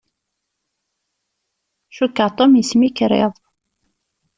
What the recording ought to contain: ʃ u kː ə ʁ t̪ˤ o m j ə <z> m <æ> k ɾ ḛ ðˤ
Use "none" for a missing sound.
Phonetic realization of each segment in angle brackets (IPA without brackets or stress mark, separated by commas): s, i